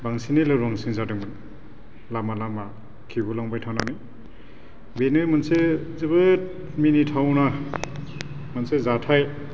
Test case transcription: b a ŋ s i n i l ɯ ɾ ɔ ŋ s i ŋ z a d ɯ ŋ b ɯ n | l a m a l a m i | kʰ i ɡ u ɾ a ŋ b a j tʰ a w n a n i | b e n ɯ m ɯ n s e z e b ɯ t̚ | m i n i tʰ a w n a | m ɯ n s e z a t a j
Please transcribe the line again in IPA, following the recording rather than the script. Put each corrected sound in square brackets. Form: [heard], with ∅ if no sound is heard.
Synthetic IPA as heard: b a ŋ s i n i l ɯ ɾ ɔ ŋ s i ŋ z a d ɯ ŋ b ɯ n | l a m a l a m [a] | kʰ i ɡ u [l] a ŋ b a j tʰ a w n a n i | b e n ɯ m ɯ n s e z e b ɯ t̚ | m i n i tʰ a w n a | m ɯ n s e z a [tʰ] a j